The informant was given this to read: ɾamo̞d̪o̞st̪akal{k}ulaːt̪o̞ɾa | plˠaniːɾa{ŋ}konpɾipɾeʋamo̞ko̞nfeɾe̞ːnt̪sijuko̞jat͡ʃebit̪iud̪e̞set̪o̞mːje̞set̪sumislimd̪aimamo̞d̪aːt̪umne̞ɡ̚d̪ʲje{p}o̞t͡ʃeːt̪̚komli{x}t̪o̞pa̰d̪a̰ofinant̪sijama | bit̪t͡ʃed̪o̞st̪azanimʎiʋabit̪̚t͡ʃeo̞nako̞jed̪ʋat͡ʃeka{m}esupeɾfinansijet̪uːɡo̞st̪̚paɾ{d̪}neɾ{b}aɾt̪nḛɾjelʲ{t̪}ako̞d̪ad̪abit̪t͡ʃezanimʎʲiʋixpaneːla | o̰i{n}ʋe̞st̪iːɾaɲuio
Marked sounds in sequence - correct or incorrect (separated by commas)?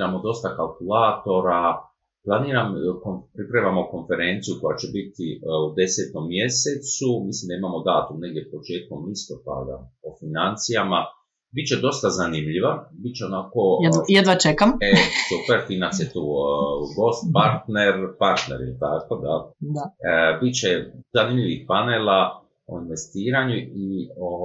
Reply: correct, incorrect, correct, incorrect, correct, incorrect, incorrect, correct, correct